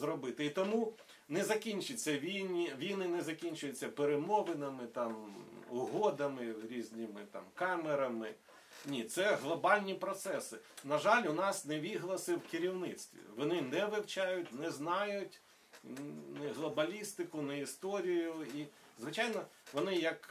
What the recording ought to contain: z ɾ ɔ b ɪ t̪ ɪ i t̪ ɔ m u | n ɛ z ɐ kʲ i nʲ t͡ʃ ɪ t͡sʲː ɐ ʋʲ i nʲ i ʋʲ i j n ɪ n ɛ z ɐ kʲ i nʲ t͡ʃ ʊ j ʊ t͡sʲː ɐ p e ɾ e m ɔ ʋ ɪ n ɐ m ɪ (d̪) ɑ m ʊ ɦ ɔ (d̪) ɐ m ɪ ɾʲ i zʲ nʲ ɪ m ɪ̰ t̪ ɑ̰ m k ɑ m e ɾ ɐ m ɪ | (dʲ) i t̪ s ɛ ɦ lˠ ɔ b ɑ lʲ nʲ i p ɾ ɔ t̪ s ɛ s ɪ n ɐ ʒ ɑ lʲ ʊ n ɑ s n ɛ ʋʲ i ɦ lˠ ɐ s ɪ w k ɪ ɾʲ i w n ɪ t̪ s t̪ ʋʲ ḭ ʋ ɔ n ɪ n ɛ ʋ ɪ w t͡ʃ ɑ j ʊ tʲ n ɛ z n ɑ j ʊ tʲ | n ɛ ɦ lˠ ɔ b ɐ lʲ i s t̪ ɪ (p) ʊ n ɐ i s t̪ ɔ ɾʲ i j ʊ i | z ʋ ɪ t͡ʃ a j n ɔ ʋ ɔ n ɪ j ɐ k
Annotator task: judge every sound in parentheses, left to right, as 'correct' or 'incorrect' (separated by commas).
incorrect, correct, incorrect, incorrect